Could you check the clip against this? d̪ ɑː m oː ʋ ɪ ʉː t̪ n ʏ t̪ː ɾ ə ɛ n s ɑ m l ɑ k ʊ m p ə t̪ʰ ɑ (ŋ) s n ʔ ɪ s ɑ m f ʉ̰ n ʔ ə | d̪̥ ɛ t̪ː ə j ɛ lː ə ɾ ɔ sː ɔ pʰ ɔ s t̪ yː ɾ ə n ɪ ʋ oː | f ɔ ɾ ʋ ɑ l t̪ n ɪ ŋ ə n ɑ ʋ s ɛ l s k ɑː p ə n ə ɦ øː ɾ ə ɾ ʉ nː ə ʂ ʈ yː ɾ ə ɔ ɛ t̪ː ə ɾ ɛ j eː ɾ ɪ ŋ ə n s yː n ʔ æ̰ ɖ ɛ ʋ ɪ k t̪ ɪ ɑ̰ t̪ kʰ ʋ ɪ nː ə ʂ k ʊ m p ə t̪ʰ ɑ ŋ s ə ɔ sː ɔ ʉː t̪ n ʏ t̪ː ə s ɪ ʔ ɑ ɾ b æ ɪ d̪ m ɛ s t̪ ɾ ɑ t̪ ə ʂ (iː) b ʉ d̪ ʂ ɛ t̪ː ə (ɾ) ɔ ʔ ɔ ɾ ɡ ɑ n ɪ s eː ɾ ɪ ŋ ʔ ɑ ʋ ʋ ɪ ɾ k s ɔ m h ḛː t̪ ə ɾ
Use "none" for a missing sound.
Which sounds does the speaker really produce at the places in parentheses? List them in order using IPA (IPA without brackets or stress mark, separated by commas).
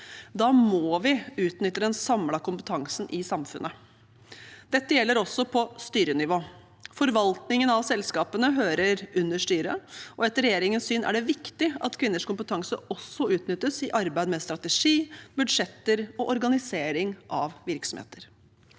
ŋ, iː, ɾ